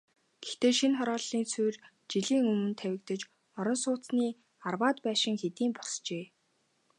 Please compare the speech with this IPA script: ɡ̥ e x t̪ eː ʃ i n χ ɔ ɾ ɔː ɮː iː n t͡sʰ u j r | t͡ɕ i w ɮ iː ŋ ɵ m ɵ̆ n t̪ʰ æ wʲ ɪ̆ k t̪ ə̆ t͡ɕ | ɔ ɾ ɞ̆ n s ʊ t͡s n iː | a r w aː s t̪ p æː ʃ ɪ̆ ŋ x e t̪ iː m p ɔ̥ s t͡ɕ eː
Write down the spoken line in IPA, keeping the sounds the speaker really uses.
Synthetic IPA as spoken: ɡ̥ e x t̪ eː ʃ i n χ ɔ ɾ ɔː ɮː iː n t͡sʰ u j r | t͡ɕ i ɮ iː ŋ ɵ m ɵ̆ n t̪ʰ æ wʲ ɪ̆ k t̪ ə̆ t͡ɕ | ɔ ɾ ɞ̆ n s ʊː t͡s n iː | a r w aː t̪ p æː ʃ ɪ̆ ŋ x e t̪ iː m p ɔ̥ s t͡ɕ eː